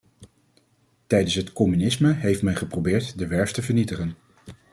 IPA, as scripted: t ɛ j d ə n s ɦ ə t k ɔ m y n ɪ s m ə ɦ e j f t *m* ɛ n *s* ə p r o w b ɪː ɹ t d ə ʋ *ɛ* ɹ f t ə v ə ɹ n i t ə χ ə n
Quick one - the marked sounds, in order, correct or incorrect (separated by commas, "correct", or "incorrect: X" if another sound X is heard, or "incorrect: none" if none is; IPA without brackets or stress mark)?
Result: correct, incorrect: χ, correct